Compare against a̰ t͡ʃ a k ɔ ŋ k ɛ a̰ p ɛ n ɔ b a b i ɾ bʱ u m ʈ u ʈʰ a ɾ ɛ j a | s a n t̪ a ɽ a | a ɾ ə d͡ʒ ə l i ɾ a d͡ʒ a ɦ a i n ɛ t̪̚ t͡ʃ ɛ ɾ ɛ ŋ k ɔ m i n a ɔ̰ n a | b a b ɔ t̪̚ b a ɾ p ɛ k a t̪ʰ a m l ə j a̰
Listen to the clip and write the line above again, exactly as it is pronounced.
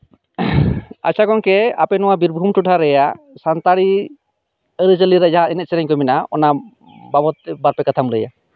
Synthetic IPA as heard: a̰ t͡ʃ a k ɔ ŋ k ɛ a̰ p ɛ n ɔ w a b i ɾ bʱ u m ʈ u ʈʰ a ɾ ɛ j a | s a n t̪ a ɽ i | ə ɾ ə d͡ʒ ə l i ɾ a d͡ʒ a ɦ a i n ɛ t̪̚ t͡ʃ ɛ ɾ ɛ ɲ k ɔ m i n a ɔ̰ n a | b a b ɔ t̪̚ b a ɾ p ɛ k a t̪ʰ a m l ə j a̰

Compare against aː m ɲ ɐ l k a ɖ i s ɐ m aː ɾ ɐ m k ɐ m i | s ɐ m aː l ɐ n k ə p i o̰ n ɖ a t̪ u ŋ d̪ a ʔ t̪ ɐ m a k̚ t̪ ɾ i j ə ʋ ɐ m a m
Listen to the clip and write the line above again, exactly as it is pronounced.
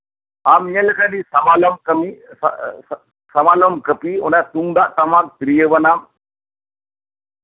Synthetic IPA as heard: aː m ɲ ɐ l k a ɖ i s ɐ m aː l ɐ m k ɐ m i | s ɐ m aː l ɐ m k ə p i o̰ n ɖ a t̪ u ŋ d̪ a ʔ t̪ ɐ m a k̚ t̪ ɾ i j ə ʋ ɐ n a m

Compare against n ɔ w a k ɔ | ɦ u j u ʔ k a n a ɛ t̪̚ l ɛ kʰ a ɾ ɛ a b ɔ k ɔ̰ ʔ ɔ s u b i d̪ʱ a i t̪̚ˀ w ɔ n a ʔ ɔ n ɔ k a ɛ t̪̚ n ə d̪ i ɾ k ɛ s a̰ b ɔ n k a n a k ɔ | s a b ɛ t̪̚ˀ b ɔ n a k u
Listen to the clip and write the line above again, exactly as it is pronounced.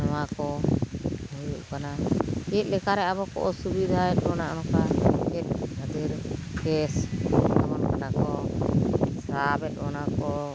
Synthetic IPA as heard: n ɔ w a k ɔ | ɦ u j u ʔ k a n a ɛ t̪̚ l ɛ k a ɾ ɛ a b ɔ k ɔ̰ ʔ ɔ s u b i d̪ʱ a ɛ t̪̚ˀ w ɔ n a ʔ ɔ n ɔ k a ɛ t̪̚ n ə d̪ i ɾ k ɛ s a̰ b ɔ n k a n a k ɔ | s a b ɛ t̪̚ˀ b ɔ n a k ɔ

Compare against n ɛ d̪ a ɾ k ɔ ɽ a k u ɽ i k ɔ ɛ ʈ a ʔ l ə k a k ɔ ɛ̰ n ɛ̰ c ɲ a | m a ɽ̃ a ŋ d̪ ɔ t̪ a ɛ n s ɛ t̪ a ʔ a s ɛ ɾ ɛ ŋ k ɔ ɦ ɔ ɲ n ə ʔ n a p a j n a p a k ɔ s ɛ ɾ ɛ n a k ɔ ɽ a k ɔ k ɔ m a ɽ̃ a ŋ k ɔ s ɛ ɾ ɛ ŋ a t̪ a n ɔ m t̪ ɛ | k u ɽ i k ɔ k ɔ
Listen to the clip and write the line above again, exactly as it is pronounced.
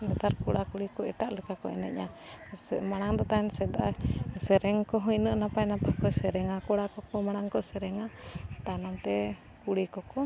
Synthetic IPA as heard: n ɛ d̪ a ɾ k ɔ ɽ a k u ɽ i k ɔ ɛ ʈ a ʔ l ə k a k ɔ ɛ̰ n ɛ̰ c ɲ a | m a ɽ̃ a ŋ d̪ ɔ t̪ a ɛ n s ɛ d̪ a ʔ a s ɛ ɾ ɛ ŋ k ɔ ɦ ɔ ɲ n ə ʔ n a p a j n a p a k ɔ s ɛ ɾ ɛ ŋ a k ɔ ɽ a k ɔ k ɔ m a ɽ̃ a ŋ k ɔ s ɛ ɾ ɛ ŋ a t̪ a n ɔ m t̪ ɛ | k u ɽ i k ɔ k ɔ

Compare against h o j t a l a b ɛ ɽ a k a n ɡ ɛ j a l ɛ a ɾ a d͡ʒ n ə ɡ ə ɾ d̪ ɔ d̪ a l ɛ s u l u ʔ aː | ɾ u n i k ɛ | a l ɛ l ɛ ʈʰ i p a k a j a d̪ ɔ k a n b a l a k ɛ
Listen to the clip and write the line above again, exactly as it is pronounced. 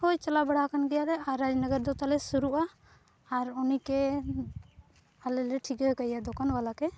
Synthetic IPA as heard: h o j t͡ʃ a l a b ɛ ɽ a k a n ɡ ɛ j a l ɛ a ɾ a d͡ʒ n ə ɡ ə ɾ d̪ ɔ t̪ a l ɛ s u ɾ u ʔ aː | ɾ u n i k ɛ | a l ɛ l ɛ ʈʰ i k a k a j a d̪ ɔ k a n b a l a k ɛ

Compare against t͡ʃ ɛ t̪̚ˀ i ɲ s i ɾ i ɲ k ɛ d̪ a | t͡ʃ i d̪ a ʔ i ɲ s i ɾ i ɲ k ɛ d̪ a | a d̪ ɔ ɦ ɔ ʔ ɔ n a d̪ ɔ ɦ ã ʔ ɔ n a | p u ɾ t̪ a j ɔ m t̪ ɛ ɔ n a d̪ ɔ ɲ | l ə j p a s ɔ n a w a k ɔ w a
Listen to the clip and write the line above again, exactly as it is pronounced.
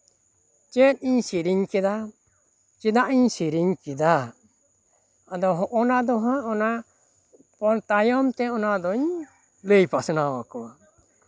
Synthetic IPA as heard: t͡ʃ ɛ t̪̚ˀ i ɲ s i ɾ i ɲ k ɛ d̪ a | t͡ʃ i d̪ a ʔ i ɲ s i ɾ i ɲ k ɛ d̪ a | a d̪ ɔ ɦ ɔ ʔ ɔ n a d̪ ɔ ɦ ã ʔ ɔ n a | p ɔ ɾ t̪ a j ɔ m t̪ ɛ ɔ n a d̪ ɔ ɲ | l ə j p a s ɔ n a w a k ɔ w a

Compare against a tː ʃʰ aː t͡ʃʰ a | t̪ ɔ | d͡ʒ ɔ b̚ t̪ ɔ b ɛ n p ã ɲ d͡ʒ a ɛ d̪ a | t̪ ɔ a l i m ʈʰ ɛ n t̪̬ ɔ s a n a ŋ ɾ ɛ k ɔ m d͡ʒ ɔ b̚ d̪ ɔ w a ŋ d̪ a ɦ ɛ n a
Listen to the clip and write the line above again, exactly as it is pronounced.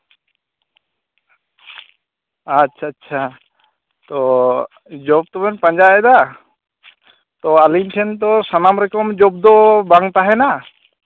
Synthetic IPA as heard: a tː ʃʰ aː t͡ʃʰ a | t̪ ɔ | d͡ʒ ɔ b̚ t̪ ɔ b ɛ n p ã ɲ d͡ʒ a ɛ d̪ a | t̪ ɔ a l i m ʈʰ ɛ n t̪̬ ɔ s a n a m ɾ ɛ k ɔ m d͡ʒ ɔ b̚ d̪ ɔ b a ŋ t̪ a ɦ ɛ n a

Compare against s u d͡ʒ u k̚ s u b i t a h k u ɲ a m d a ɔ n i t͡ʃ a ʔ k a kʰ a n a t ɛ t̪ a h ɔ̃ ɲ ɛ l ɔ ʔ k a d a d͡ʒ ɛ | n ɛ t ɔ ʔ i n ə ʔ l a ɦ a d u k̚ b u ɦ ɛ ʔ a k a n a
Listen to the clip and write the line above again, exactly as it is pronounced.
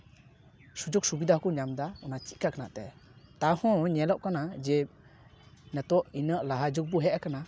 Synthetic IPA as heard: s u d͡ʒ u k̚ s u b i d a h k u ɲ a m d a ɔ n a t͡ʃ i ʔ k a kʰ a n a t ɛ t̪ a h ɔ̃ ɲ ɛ l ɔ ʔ k a n a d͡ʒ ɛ | n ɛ t ɔ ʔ i n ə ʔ l a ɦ a d͡ʒ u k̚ b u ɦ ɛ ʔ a k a n a

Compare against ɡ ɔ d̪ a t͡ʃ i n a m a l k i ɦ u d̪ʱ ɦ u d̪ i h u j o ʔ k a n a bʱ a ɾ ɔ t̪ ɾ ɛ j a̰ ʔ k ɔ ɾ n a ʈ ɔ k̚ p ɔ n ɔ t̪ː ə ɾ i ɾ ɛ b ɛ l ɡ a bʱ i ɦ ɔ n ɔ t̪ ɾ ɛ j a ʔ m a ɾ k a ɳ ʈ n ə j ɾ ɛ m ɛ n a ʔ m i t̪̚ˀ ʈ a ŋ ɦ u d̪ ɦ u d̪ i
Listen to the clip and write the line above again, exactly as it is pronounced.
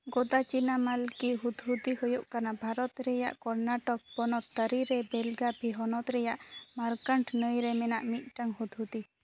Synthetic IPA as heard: ɡ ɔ d̪ a t͡ʃ i n a m a l k i ɦ u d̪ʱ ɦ u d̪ i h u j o ʔ k a n a bʱ a ɾ ɔ t̪ ɾ ɛ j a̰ ʔ k ɔ ɾ n a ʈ ɔ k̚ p ɔ n ɔ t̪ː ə ɾ i ɾ ɛ b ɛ l ɡ a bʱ i ɦ ɔ n ɔ t̪ ɾ ɛ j a ʔ m a ɾ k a ɳ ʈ n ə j ɾ ɛ m ɛ n a ʔ m i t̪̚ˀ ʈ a ŋ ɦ u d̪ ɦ u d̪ i

